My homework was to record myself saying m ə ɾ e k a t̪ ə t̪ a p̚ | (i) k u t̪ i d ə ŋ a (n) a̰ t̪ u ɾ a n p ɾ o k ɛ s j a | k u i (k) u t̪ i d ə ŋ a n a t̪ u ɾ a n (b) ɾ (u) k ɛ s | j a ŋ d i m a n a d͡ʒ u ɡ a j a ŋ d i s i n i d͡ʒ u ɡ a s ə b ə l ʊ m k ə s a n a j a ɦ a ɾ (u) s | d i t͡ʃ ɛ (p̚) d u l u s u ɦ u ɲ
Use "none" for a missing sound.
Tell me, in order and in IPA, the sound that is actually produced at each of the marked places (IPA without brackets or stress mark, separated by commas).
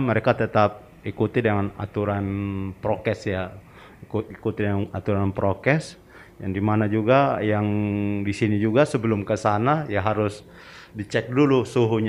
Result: i, n, k, p, o, ʊ, k̚